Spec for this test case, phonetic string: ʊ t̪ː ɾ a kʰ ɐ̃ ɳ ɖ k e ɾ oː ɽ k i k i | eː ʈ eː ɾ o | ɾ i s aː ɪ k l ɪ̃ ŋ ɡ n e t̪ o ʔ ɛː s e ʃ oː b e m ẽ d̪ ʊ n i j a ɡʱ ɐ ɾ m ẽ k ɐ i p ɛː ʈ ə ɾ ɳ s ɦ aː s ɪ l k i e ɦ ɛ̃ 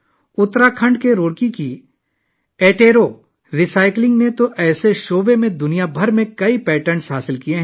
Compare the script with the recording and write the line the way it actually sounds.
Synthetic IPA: ʊ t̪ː ɾ a kʰ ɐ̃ ɳ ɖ k e ɾ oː ɽ k i k i | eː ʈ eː ɾ o | ɾ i s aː ɪ k l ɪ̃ ŋ ɡ n e t̪ o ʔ ɛː s e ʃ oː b e m ẽ d̪ ʊ n i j a bʱ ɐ ɾ m ẽ k ɐ i p ɛː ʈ ə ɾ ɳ s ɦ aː s ɪ l k i e ɦ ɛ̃